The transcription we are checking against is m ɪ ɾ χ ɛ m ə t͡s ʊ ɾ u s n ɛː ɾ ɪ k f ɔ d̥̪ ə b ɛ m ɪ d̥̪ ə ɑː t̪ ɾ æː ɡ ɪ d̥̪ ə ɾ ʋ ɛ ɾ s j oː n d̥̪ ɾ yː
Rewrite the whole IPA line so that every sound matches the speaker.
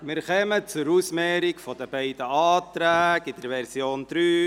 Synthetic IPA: m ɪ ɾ χ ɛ m ə t͡s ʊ ɾ u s m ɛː ɾ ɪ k f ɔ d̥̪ ə b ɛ ɪ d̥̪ ə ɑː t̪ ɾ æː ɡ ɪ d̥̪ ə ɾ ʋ ɛ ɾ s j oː n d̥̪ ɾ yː